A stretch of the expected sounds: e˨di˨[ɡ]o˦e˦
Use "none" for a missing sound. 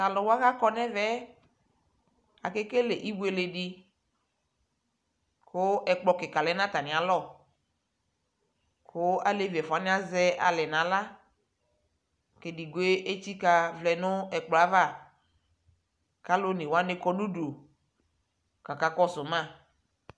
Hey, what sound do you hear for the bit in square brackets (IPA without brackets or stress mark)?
ɡ